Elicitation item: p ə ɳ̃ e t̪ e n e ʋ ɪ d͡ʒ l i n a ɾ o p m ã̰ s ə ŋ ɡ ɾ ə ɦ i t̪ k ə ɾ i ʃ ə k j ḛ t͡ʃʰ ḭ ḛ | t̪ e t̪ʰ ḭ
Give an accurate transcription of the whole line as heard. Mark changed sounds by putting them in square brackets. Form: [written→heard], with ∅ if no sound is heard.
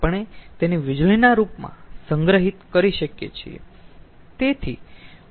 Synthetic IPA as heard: p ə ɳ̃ e t̪ e n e ʋ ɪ d͡ʒ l i n a ɾ [o→u] p m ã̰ s ə ŋ ɡ ɾ ə ɦ i t̪ k ə ɾ i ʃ ə k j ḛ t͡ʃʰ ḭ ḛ | t̪ e t̪ʰ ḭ